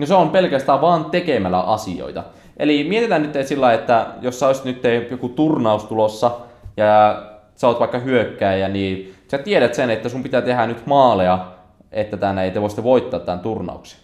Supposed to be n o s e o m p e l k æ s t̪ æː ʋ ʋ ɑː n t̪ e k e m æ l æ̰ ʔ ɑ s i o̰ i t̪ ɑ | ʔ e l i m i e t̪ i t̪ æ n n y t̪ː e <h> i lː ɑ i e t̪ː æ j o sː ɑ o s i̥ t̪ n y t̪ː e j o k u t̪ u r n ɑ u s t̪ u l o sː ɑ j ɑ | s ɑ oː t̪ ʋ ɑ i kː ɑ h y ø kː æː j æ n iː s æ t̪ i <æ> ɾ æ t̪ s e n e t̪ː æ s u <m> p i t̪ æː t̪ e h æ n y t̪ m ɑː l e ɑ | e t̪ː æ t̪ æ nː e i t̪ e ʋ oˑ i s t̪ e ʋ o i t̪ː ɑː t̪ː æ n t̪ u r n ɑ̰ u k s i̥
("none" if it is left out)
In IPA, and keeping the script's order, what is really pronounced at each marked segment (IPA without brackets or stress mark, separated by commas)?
s, e, m